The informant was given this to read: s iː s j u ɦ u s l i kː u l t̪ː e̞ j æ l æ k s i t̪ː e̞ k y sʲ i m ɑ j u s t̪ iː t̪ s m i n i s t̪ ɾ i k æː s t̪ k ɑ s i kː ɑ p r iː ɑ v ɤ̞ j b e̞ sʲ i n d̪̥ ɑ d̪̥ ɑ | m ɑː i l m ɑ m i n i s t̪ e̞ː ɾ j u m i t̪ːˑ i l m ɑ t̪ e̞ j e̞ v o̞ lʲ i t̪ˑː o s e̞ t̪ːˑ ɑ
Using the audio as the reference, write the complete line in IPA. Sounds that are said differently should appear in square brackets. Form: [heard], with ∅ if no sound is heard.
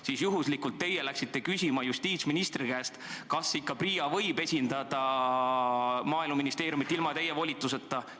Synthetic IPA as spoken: s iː s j u ɦ u s l i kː u l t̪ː e̞ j [e] l æ k s i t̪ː e̞ k y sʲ i m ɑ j u s t̪ iː t̪ s m i n i s t̪ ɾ i k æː s t̪ k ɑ s i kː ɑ p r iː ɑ v ɤ̞ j b e̞ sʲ i n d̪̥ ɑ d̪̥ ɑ | m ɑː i l m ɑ m i n i s t̪ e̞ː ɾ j u m i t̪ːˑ i l m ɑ t̪ e̞ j e̞ v o̞ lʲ i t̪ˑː [u] s e̞ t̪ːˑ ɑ

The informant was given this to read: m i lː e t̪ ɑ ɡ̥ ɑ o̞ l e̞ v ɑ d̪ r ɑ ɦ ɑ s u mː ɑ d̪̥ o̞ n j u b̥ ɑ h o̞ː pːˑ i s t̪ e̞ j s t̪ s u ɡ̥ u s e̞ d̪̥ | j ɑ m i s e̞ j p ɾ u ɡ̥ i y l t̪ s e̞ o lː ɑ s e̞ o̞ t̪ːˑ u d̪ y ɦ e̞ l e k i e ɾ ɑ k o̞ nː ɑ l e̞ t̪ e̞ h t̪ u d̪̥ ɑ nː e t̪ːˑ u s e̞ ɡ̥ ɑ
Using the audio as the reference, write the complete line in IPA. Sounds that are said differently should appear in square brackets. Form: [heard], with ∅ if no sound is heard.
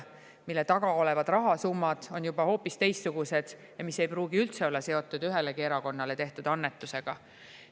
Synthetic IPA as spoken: m i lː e t̪ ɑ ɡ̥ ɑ o̞ l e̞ v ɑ d̪ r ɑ ɦ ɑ s u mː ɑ d̪̥ o̞ n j u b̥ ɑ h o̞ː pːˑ i s t̪ e̞ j s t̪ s u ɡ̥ u s e̞ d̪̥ | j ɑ m i s e̞ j p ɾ [uː] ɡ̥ i y l t̪ s e̞ o lː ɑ s e̞ o̞ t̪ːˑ u d̪ y ɦ e̞ l e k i e ɾ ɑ k o̞ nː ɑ l e̞ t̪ e̞ h t̪ u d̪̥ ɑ nː e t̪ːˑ u s e̞ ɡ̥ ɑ

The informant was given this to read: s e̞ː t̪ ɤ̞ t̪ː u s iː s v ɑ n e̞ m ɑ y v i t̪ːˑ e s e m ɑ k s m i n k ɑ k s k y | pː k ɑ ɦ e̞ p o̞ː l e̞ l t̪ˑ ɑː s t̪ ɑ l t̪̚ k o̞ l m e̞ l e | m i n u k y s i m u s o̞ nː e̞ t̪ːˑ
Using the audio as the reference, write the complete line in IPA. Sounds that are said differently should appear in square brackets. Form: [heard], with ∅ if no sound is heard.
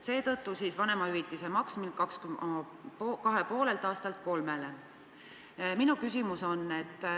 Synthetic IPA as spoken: s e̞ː t̪ ɤ̞ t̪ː u s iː s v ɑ n e̞ m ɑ y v i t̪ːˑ [i] s e m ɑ k s m i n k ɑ k s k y | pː k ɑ ɦ e̞ p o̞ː l e̞ l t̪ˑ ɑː s t̪ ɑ l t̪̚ k o̞ l m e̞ l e | m i n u k y s i m u s o̞ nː e̞ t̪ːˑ

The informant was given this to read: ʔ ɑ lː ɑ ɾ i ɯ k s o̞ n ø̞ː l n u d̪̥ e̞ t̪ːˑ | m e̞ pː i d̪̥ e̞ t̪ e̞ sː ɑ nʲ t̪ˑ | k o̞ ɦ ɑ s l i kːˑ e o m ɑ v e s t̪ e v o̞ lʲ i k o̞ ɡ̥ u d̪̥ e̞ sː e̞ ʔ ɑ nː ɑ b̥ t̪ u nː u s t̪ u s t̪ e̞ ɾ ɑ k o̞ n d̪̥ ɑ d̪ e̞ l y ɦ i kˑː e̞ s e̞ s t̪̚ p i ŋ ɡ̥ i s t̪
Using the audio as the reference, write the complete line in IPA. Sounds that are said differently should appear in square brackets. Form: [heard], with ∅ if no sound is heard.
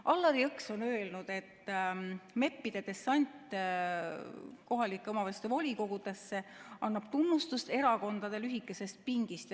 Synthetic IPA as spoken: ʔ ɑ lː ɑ ɾ i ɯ k s o̞ n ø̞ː l n u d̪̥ e̞ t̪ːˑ | m e̞ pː i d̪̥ e̞ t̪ e̞ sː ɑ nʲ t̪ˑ | k o̞ ɦ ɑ [∅] l i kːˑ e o m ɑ v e s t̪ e v o̞ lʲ i k o̞ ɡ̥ u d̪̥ e̞ sː e̞ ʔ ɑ nː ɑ b̥ t̪ u nː u s t̪ u s t̪ e̞ ɾ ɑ k o̞ n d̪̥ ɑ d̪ e̞ l y ɦ i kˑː e̞ s e̞ s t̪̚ p i ŋ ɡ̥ i s t̪

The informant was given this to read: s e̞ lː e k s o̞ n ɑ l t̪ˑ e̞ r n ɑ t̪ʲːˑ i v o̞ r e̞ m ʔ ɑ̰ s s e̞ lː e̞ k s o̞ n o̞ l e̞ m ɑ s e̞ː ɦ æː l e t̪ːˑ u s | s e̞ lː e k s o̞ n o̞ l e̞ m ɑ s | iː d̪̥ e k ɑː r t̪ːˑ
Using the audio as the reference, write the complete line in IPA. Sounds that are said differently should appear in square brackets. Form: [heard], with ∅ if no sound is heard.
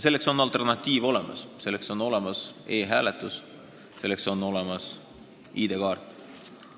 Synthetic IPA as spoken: s e̞ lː e k s o̞ n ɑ l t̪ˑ e̞ r n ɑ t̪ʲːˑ [iː] v o̞ [l] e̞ m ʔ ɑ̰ s s e̞ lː e̞ k s o̞ n o̞ l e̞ m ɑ s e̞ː ɦ æː l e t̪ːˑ u s | s e̞ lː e k s o̞ n o̞ l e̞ m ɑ s | iː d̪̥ e k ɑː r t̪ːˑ

